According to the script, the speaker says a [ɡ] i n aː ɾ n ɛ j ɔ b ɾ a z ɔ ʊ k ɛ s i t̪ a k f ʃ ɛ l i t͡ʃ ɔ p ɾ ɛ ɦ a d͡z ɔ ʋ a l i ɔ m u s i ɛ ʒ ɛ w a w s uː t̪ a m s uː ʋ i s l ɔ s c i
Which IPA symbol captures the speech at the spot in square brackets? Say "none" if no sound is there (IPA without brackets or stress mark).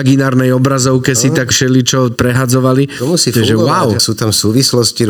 ɡ